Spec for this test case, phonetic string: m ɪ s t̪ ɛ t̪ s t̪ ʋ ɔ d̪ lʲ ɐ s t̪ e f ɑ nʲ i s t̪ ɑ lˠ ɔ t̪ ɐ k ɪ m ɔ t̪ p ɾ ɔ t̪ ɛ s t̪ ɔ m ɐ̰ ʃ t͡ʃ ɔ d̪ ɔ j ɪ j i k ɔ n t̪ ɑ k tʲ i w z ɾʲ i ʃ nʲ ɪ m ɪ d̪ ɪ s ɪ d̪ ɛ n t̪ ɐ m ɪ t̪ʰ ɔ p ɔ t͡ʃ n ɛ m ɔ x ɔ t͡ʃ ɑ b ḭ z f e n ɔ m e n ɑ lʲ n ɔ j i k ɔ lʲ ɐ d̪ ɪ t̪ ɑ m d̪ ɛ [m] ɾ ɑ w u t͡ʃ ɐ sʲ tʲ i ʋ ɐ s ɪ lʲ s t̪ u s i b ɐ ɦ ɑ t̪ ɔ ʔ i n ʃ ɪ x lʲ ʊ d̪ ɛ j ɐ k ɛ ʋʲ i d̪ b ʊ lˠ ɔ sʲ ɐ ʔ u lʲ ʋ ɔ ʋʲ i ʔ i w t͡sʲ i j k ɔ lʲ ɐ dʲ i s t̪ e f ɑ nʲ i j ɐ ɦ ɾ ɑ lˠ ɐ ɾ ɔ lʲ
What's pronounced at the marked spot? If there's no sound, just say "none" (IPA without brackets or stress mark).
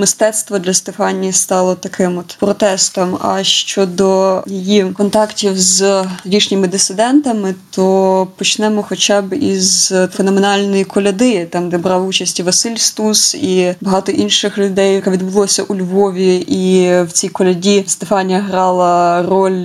b